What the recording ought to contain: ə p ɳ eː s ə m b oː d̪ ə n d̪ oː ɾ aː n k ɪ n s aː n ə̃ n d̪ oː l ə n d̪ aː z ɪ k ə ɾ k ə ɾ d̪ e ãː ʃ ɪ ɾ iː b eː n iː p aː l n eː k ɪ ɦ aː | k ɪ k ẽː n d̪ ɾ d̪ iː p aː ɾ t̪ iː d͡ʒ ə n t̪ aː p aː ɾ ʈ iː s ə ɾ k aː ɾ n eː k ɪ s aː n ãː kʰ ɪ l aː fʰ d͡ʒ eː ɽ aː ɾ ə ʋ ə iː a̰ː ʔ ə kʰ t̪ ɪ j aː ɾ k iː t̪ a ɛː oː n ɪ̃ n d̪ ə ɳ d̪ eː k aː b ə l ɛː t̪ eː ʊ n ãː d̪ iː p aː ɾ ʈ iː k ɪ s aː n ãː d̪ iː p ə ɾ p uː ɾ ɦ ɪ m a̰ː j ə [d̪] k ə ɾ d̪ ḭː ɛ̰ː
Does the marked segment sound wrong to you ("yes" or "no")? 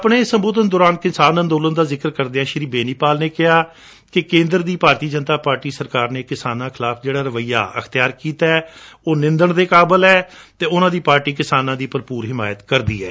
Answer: yes